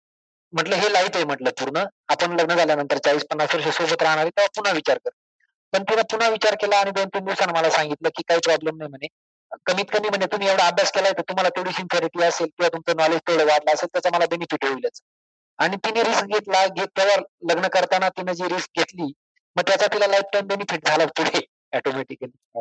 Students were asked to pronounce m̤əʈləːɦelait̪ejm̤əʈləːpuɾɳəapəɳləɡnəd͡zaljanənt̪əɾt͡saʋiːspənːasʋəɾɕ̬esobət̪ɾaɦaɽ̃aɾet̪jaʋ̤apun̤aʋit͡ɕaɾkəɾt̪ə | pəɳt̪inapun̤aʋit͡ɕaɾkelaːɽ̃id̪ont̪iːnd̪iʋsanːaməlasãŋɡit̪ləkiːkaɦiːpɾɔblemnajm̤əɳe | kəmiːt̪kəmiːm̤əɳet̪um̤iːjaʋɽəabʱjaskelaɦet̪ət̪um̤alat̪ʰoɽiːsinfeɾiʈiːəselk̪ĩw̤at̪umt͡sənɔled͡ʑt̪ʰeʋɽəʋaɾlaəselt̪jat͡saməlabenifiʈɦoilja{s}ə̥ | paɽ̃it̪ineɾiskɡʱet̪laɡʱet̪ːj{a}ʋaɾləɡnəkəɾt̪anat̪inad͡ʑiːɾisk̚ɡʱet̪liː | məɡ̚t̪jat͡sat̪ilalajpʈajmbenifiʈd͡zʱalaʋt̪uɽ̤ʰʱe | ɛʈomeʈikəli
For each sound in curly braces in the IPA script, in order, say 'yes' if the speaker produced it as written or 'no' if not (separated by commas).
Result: no, yes